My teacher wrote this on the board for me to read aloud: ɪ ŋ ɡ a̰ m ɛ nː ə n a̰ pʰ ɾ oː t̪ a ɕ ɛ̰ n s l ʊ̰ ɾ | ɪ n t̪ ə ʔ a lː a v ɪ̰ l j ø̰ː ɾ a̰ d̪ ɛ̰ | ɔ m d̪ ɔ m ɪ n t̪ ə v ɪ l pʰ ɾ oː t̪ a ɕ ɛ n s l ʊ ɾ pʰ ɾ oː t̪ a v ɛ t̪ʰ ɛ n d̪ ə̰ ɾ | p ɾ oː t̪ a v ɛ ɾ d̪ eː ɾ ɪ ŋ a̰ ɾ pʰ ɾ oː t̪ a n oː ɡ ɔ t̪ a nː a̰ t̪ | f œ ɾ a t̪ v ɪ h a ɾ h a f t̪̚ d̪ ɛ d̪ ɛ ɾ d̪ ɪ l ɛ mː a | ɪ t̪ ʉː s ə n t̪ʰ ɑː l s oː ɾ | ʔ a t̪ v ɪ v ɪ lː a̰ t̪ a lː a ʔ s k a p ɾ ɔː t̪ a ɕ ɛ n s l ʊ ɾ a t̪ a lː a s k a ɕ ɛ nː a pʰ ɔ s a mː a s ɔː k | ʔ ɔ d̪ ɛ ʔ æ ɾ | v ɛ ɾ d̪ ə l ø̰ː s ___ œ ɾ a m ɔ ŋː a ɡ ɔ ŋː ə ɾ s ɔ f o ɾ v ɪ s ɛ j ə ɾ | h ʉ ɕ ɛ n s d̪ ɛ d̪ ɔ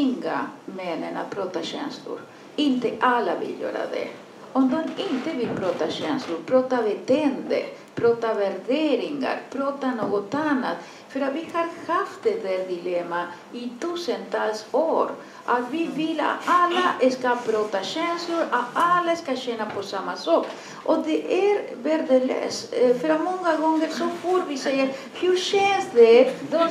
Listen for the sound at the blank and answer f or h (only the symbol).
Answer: f